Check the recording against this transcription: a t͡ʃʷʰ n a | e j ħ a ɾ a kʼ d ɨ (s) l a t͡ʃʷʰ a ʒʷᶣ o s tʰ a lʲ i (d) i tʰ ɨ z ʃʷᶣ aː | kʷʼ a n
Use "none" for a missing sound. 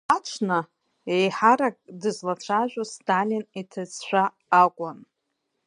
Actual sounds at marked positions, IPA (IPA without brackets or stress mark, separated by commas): z, n